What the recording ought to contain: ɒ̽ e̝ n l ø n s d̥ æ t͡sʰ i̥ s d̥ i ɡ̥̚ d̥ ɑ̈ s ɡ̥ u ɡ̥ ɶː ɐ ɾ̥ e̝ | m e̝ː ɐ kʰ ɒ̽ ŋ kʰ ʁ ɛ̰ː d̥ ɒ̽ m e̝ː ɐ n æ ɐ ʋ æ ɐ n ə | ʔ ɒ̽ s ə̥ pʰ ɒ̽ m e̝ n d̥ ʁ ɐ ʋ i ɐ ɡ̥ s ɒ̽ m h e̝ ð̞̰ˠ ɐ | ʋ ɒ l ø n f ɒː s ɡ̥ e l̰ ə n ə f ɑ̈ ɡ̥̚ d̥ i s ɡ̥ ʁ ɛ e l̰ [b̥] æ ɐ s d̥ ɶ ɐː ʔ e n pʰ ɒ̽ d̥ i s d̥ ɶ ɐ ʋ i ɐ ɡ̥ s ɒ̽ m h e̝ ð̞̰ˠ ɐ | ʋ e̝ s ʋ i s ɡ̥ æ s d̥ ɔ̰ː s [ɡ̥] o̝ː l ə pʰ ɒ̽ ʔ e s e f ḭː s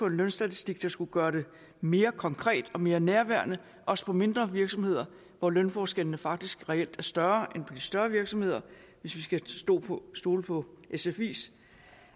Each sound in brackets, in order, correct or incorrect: incorrect, incorrect

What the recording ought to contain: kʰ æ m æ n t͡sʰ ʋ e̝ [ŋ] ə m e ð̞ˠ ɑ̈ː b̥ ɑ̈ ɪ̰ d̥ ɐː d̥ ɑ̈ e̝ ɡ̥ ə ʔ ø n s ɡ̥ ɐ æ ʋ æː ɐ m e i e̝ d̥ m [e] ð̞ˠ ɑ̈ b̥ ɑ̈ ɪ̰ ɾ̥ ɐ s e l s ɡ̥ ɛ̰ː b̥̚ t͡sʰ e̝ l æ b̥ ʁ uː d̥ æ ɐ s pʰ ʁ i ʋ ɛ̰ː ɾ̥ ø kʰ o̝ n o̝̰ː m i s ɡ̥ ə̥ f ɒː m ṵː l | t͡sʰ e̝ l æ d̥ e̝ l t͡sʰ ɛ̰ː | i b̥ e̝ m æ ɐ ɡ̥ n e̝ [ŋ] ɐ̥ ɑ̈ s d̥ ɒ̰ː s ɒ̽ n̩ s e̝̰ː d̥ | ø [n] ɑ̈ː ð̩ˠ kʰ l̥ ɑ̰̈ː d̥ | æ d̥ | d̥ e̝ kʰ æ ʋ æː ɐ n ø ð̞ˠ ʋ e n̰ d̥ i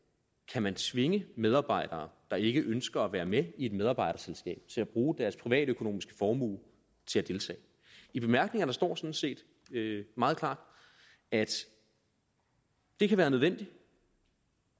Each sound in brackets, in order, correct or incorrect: correct, correct, correct, incorrect

